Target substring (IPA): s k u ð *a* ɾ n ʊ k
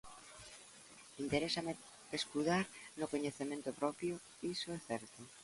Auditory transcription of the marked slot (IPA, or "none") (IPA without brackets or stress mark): a